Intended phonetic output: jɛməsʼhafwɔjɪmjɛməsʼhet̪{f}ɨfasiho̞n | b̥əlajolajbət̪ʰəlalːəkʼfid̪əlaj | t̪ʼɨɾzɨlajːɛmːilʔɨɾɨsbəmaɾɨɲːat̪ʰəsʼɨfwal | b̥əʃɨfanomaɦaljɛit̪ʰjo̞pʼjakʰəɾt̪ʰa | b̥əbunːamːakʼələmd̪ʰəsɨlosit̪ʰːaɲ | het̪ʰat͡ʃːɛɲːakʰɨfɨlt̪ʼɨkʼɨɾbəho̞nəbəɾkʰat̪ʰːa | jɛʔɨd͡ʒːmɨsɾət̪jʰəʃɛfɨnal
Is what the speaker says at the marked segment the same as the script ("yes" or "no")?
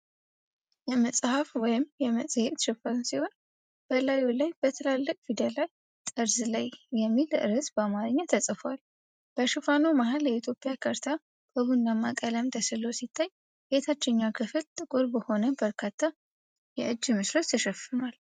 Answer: no